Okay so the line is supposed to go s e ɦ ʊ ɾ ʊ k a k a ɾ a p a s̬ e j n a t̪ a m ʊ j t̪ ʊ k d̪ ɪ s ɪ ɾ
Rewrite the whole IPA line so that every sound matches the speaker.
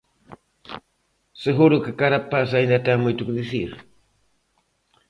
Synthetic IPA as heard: s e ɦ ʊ ɾ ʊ k a k a ɾ a p a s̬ a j n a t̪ a m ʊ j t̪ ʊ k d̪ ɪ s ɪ ɾ